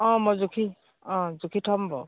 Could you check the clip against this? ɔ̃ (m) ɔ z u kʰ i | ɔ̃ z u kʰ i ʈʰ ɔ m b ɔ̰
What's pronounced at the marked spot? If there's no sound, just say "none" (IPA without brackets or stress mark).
m